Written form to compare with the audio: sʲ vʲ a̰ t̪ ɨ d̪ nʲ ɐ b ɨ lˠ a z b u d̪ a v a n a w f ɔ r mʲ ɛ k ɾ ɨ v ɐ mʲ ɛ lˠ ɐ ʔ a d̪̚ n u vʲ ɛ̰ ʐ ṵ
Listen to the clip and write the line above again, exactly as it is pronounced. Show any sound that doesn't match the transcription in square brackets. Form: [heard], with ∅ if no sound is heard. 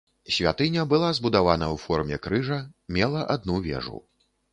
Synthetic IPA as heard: sʲ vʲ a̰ t̪ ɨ [∅] nʲ ɐ b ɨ lˠ a z b u d̪ a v a n [ɐ] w f ɔ r mʲ ɛ k ɾ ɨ [ʐ] ɐ mʲ ɛ lˠ ɐ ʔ a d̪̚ n u vʲ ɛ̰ ʐ ṵ